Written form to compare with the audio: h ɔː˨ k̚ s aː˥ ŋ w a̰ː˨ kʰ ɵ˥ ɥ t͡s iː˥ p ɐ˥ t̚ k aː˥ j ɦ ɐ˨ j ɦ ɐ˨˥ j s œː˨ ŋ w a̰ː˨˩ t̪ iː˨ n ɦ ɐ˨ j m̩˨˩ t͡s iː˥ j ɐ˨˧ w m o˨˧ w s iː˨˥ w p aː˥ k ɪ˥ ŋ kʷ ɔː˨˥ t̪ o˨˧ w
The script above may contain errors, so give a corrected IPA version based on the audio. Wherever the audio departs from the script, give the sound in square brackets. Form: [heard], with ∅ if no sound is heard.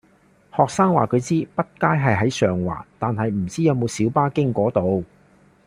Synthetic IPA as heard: h ɔː˨ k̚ s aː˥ ŋ w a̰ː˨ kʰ [ɵ˨˧] ɥ t͡s iː˥ p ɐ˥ t̚ k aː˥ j ɦ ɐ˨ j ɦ ɐ˨˥ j s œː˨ ŋ w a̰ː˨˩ t̪ [aː˨] n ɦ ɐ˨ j m̩˨˩ t͡s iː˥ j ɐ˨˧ w m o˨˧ w s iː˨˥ w p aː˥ k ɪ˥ ŋ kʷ ɔː˨˥ t̪ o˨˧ w